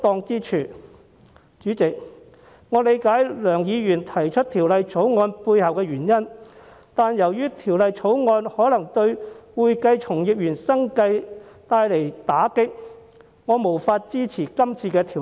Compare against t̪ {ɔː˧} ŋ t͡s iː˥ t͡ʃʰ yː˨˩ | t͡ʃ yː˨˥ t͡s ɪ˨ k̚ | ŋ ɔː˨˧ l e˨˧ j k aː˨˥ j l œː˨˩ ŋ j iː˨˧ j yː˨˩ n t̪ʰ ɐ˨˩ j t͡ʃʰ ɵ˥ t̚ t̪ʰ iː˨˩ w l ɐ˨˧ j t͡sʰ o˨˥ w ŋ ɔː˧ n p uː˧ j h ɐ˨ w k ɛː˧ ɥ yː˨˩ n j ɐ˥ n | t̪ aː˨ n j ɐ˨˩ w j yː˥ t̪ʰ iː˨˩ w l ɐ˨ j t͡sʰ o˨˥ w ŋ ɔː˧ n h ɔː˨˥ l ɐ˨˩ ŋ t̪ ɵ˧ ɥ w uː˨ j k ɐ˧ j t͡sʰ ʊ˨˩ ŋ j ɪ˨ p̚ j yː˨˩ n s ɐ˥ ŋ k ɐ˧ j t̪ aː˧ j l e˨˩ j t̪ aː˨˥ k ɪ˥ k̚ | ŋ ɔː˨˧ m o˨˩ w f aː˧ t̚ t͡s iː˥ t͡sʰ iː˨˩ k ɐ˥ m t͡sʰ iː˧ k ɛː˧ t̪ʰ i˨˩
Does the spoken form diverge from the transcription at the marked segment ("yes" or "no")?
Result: no